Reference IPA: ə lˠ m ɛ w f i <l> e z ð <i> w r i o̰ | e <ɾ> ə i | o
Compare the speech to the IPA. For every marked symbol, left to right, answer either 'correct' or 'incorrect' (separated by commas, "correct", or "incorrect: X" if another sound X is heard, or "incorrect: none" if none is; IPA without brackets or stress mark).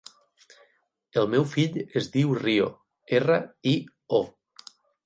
incorrect: ʎ, correct, incorrect: r